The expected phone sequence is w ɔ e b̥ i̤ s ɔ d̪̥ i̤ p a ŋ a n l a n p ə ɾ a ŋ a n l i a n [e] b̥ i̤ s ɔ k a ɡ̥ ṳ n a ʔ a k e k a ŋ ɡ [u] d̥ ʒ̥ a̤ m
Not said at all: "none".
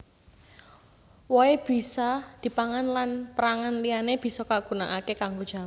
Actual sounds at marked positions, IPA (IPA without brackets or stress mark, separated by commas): e, o